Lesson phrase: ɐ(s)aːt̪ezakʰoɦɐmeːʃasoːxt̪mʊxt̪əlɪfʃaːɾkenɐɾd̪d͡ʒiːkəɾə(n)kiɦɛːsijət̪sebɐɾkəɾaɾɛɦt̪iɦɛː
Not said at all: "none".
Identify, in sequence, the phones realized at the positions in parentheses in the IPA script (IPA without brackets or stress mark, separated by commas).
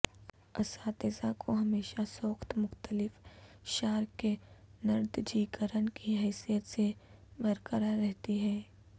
s, n